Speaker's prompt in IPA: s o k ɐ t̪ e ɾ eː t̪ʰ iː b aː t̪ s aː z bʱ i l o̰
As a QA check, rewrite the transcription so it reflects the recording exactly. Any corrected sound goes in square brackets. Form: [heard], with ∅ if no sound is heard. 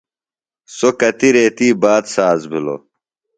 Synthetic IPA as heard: s o k ɐ t̪ [i] ɾ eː [t̪] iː b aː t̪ s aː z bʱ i l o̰

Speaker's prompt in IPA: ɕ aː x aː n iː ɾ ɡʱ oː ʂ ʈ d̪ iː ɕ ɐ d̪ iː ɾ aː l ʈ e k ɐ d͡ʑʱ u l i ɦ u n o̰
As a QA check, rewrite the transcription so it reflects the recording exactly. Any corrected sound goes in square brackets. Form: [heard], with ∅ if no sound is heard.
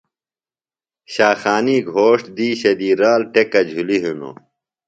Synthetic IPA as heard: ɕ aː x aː n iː [∅] ɡʱ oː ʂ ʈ d̪ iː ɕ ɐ d̪ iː ɾ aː l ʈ e k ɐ d͡ʑʱ u l i ɦ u n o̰

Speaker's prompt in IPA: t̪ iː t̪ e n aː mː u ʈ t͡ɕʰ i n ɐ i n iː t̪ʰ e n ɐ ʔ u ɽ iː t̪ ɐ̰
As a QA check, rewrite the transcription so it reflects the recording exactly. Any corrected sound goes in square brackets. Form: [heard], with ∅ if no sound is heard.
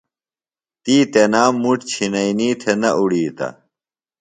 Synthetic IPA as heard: t̪ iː t̪ e n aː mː u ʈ t͡ɕʰ i n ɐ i n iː t̪ʰ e n ɐ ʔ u ɽ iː t̪ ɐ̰

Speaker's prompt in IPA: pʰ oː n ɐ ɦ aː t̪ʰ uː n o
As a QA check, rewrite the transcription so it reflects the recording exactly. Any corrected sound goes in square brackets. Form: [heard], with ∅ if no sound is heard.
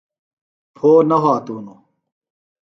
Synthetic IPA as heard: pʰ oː n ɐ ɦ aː [t̪] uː n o

